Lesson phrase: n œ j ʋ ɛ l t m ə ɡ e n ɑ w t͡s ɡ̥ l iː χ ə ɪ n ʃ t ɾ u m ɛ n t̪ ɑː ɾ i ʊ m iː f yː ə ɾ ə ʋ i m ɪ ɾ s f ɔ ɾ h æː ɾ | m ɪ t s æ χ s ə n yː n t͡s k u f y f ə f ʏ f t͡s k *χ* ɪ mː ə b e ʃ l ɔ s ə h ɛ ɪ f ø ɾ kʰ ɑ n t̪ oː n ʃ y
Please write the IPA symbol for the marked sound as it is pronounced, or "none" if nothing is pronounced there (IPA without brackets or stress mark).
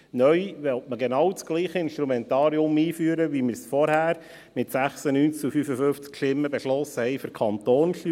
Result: ʃ